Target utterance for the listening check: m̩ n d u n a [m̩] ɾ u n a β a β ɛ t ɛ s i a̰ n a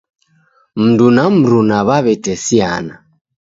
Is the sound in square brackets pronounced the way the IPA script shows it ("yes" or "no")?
yes